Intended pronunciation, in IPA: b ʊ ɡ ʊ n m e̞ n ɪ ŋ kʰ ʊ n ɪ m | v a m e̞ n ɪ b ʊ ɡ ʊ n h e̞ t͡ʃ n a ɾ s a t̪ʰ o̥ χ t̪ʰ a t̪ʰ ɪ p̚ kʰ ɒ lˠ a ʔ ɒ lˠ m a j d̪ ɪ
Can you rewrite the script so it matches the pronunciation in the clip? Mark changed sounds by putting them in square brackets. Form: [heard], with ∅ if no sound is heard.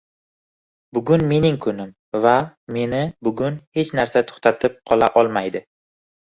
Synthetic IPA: b ʊ ɡ ʊ n m e̞ n ɪ ŋ kʰ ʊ n ɪ m | v a m e̞ n ɪ b ʊ ɡ ʊ n h e̞ t͡ʃ n a ɾ s a t̪ʰ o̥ χ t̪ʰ a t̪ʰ ɪ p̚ [qʰ] ɒ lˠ a ʔ ɒ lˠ m a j d̪ ɪ